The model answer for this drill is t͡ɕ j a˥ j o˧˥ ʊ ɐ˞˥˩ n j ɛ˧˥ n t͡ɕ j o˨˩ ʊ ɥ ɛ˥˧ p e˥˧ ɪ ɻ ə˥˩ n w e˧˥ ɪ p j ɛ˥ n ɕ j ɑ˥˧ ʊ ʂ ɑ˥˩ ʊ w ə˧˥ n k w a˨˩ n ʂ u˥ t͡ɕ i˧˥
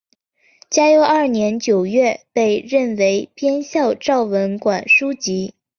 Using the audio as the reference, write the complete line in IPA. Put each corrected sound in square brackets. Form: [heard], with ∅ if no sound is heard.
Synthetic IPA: t͡ɕ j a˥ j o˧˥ ʊ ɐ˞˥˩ n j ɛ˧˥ n t͡ɕ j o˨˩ ʊ ɥ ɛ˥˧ p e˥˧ ɪ ɻ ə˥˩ n w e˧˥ ɪ p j ɛ˥ n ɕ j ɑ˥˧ ʊ [ʈ͡ʂ] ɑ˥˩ ʊ w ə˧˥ n k w a˨˩ n ʂ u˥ t͡ɕ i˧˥